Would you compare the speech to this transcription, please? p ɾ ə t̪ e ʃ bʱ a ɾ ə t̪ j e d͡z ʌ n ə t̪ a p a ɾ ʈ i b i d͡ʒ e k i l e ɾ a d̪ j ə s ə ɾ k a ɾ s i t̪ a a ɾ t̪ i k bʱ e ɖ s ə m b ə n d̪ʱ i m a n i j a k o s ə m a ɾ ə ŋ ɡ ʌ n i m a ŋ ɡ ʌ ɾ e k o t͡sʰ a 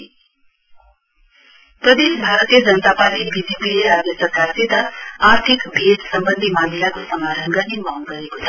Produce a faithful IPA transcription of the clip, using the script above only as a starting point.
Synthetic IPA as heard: p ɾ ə d̪ e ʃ bʱ a ɾ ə t̪ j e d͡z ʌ n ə t̪ a p a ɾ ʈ i b i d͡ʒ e p i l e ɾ a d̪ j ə s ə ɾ k a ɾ s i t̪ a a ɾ t̪ʰ i k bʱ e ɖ s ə m b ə n d̪ʱ i m a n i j a k o s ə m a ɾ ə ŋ ɡ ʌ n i m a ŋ ɡ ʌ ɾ e k o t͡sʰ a

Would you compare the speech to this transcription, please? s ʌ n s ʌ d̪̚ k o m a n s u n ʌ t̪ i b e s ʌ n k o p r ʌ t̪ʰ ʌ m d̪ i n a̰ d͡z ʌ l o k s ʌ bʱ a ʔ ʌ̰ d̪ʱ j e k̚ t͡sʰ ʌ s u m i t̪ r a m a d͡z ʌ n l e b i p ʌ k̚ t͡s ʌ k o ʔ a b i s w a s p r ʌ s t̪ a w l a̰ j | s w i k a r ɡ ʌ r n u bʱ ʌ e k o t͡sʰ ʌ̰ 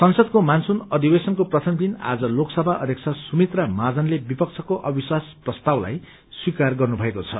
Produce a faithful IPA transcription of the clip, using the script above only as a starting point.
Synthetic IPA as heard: s ʌ n s ʌ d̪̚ k o m a n s u n ʌ d̪ i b e s ʌ n k o p r ʌ t̪ʰ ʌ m d̪ i n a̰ d͡z ʌ l o k s ʌ bʱ a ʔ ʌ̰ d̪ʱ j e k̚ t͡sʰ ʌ s u m i t̪ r a m a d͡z ʌ n l e b i p ʌ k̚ t͡sʰ ʌ k o ʔ ʌ b i s w a s p r ʌ s t̪ a w l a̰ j | s w i k a r ɡ ʌ r n u bʱ ʌ e k o t͡sʰ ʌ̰

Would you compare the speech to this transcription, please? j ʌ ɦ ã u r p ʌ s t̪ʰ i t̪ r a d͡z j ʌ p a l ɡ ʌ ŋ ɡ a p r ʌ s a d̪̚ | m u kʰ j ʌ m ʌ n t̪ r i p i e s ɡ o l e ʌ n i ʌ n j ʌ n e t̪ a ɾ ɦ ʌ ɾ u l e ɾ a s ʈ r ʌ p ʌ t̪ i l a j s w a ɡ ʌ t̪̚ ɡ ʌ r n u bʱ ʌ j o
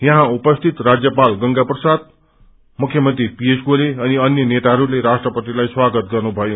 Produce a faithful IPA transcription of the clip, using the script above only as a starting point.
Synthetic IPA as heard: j ʌ ɦ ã u p ʌ s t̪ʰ i t̪ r a d͡z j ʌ p a l ɡ ʌ ŋ ɡ a p r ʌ s a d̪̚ | m u kʰ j ʌ m ʌ n t̪ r i p i e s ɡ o l e ʌ n i ʌ n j ʌ n e t̪ a ɦ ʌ ɾ u l e ɾ a s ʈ r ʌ p ʌ t̪ i l a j s w a ɡ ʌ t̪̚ ɡ ʌ r n u bʱ ʌ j o

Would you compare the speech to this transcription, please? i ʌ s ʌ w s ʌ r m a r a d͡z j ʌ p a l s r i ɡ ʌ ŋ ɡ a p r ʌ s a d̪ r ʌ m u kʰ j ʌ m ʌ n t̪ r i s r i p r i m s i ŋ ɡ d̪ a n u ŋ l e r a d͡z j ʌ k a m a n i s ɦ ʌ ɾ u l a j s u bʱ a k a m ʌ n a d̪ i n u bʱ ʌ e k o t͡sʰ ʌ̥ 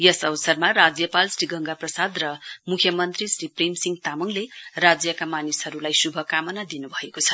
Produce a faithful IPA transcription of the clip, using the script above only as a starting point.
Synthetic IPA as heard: j ʌ s ʌ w s ʌ r m a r a d͡z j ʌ p a l s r i ɡ ʌ ŋ ɡ a p r ʌ s a d̪ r ʌ m u kʰ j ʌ m ʌ n t̪ r i s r i p r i m s i ŋ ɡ t̪ a m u ŋ l e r a d͡z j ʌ k a m a n i s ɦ ʌ ɾ u l a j s u bʱ ʌ k a m ʌ n a d̪ i n u bʱ ʌ e k o t͡sʰ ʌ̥

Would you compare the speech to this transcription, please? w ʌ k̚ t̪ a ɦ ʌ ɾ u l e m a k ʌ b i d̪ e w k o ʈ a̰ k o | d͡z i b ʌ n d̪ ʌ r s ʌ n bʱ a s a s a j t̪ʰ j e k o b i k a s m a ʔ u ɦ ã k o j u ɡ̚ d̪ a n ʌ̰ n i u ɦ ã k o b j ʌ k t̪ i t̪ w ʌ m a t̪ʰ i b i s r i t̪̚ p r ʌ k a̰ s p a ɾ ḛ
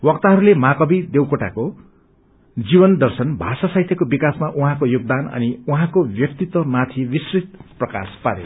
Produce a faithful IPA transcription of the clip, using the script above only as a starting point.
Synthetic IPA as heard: w ʌ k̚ t̪ a ɦ ʌ ɾ u l e m a k ʌ b i d̪ e w k o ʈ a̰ k o | d͡z i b ʌ n d̪ ʌ r s ʌ n bʱ a s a s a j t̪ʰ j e k o b i k a s m a ʔ u ɦ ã k o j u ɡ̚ d̪ a n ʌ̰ n i u ɦ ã k o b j ʌ k t̪ i t̪ w ʌ m a t̪ʰ i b i s r i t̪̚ p r ʌ k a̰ s p a ɾ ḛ

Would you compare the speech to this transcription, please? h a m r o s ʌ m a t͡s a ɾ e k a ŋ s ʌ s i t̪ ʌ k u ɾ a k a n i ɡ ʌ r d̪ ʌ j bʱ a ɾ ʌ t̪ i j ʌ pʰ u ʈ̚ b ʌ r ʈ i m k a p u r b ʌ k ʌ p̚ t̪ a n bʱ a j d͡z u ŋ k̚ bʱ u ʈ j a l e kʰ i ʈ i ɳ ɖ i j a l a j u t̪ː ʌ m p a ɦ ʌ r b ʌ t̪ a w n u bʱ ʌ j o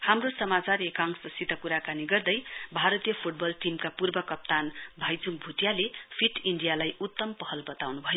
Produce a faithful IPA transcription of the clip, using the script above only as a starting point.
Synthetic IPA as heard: h a m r o s ʌ m a t͡s a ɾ e k a ŋ s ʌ s i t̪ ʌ k u ɾ a k a n i ɡ ʌ r d̪ ʌ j bʱ a ɾ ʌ t̪ i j ʌ pʰ u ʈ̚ b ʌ l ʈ i m k a p u r b ʌ k ʌ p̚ t̪ a n bʱ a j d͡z u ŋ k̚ bʱ u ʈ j a l e pʰ i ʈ i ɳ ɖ i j a l a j u t̪ː ʌ m p ʌ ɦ ʌ l b ʌ t̪ a w n u bʱ ʌ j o

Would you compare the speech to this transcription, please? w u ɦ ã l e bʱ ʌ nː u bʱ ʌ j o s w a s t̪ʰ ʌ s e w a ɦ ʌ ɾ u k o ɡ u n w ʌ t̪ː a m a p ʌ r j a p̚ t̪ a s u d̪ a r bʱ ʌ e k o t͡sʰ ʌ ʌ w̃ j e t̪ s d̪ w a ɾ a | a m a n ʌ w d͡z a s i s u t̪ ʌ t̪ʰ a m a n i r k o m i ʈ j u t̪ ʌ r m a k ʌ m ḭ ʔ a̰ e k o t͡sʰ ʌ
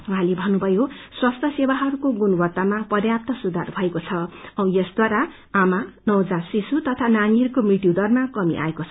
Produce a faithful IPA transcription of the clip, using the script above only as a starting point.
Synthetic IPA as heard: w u ɦ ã l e bʱ ʌ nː u bʱ ʌ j o s w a s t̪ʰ ʌ s e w a ɦ ʌ ɾ u k o ɡ u n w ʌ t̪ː a m a p ʌ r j a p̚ t̪ ʌ s u d̪ a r bʱ ʌ e k o t͡sʰ ʌ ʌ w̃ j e s d̪ w a ɾ a | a m a n ʌ w d͡z a s i s u t̪ ʌ t̪ʰ a n a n i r k o m i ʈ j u d̪ ʌ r m a k ʌ m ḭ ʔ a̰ e k o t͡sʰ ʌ

